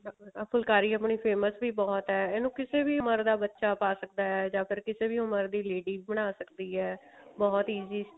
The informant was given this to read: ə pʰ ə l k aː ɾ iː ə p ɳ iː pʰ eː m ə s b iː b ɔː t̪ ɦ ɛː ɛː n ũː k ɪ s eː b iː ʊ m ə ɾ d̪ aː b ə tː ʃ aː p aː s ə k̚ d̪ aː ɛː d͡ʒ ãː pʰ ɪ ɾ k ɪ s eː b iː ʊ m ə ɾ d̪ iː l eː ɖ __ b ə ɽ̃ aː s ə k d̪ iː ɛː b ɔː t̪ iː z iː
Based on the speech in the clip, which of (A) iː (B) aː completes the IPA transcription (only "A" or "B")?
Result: A